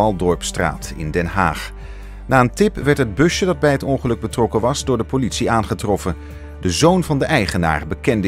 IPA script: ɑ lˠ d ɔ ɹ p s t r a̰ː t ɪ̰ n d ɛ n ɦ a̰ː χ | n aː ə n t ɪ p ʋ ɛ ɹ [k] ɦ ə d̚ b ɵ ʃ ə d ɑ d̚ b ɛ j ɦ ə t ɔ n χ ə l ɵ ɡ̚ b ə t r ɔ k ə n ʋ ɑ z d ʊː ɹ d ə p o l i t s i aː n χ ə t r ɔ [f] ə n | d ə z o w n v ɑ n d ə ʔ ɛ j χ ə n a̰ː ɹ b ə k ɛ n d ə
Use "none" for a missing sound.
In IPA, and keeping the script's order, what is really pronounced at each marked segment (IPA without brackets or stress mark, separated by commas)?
t, f